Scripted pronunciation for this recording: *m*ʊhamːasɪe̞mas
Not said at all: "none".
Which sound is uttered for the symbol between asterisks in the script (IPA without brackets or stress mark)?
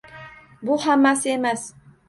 b